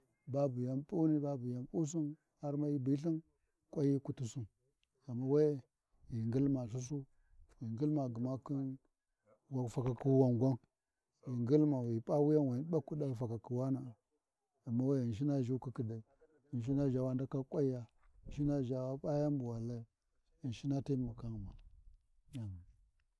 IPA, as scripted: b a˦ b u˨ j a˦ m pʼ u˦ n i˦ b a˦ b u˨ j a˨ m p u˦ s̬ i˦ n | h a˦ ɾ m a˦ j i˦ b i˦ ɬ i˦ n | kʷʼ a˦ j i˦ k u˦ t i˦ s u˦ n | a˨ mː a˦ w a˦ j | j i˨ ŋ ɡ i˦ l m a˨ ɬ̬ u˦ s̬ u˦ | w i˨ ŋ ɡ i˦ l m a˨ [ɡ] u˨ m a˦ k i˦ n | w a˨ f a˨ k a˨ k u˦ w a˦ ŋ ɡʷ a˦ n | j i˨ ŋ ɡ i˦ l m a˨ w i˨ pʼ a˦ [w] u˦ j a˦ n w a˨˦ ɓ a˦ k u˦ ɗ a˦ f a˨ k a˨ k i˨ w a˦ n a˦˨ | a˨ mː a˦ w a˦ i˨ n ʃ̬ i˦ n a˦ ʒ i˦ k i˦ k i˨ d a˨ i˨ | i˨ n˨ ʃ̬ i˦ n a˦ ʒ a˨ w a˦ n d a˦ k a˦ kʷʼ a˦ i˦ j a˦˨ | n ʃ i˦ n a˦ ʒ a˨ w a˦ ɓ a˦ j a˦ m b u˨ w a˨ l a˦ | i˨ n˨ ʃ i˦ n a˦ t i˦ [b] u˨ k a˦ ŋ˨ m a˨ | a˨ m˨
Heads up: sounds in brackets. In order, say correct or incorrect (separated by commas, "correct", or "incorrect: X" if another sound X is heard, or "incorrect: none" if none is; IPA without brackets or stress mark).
correct, correct, incorrect: m